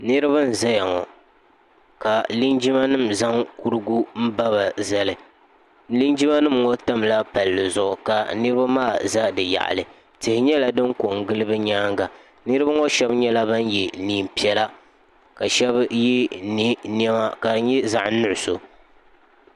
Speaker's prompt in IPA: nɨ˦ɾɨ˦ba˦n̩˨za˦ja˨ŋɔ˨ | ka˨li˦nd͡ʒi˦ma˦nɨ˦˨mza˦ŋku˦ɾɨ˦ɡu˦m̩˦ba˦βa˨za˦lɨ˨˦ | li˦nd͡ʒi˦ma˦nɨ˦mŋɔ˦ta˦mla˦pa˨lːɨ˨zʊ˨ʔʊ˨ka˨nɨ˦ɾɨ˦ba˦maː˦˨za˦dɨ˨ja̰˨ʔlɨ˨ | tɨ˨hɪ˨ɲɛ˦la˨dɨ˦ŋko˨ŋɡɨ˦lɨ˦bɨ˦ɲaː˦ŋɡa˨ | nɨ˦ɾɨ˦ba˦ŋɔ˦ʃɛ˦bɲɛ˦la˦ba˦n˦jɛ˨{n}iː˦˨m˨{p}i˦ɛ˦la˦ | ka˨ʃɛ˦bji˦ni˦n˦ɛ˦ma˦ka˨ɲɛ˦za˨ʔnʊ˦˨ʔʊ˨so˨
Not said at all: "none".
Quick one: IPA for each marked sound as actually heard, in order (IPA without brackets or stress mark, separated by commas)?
n, p